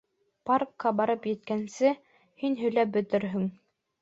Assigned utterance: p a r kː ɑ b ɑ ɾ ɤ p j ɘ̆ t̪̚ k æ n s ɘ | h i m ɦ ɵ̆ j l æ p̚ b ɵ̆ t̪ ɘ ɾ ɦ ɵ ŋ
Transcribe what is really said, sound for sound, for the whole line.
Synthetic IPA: p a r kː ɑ b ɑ ɾ ɤ p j ɘ̆ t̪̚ k æ n s ɘ | h i n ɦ ɵ̆ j l æ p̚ b ɵ̆ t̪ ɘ ɾ ɦ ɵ ŋ